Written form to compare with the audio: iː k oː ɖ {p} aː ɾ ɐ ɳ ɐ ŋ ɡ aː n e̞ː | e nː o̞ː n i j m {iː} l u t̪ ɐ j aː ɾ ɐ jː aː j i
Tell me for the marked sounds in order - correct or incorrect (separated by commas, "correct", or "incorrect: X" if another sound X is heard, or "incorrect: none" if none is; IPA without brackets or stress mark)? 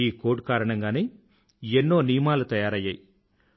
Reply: incorrect: k, incorrect: aː